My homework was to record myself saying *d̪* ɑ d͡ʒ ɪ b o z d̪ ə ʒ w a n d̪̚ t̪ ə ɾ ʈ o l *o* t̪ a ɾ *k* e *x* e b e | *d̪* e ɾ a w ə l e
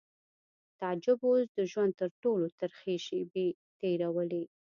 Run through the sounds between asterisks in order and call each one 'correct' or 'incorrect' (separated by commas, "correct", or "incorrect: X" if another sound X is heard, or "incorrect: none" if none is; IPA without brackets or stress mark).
incorrect: t̪, correct, incorrect: x, incorrect: ʃ, incorrect: t̪